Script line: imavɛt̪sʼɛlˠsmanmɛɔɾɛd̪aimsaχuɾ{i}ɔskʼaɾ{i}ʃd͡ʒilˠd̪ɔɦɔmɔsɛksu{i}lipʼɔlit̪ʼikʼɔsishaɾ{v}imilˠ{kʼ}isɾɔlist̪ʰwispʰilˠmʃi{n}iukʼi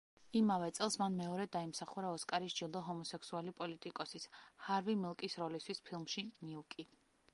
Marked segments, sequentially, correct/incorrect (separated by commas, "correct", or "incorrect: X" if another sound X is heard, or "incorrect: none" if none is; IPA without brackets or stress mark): incorrect: a, correct, incorrect: a, correct, correct, correct